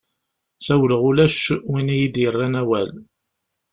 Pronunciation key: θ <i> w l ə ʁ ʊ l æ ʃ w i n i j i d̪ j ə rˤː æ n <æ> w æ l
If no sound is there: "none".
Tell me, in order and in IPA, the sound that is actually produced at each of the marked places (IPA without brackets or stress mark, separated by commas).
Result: æ, æ